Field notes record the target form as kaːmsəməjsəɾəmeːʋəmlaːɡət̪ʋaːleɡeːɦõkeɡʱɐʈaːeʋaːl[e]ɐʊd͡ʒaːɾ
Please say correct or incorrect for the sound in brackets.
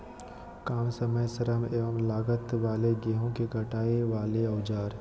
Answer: correct